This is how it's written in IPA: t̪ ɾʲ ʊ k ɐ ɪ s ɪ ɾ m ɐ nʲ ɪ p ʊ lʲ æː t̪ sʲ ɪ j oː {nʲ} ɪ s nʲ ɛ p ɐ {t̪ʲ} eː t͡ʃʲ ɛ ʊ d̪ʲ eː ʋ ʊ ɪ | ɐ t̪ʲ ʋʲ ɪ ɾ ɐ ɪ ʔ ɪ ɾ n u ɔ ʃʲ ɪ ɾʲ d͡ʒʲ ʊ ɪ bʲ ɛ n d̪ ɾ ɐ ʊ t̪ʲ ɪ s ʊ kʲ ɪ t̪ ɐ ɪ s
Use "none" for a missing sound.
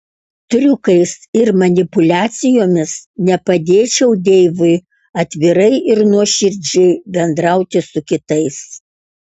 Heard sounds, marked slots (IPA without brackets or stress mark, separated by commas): mʲ, d̪ʲ